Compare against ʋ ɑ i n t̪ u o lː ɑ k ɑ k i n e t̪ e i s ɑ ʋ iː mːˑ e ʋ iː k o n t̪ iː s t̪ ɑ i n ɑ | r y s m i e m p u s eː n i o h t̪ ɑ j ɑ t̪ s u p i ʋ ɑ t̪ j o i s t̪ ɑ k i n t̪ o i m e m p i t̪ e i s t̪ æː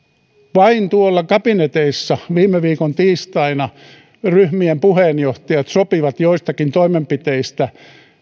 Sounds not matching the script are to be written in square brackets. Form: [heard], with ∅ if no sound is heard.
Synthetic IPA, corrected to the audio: ʋ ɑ i n t̪ u o lː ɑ k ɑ [p] i n e t̪ e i [sː] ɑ ʋ iː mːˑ e ʋ iː k o n t̪ iː s t̪ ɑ i n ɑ | r y [h] m i e m p u [h] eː n [j] o h t̪ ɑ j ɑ t̪ s [o] p i ʋ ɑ t̪ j o i s t̪ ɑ k i n t̪ o i m e m p i t̪ e i s t̪ [æ]